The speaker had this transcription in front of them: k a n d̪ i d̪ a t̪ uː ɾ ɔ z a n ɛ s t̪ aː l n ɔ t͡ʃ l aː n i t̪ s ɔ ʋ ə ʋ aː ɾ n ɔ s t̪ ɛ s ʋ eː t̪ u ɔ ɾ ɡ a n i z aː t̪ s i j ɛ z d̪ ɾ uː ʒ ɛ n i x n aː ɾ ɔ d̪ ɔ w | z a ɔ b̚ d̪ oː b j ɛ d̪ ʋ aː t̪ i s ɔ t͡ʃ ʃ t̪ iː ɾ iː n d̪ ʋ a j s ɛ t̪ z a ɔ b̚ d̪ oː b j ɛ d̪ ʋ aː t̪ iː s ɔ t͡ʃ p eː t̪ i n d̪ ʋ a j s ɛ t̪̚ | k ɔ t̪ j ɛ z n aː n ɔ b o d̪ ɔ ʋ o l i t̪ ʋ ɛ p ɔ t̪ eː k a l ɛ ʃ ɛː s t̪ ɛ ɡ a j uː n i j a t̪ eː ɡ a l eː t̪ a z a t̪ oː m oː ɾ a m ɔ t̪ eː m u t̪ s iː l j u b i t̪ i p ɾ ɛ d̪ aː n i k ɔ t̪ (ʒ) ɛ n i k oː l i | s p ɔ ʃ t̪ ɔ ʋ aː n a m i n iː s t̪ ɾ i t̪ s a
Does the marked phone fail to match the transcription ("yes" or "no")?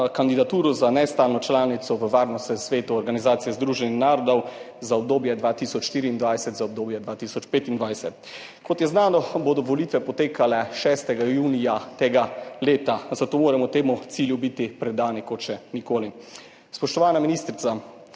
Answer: yes